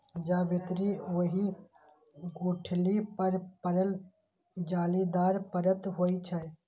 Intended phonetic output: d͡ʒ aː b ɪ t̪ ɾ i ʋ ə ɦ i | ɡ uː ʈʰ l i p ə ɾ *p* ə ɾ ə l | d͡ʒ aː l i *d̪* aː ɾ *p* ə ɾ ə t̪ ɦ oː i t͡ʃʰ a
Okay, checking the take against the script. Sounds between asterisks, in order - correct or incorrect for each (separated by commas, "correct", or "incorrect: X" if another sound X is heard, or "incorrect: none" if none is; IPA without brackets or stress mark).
correct, correct, correct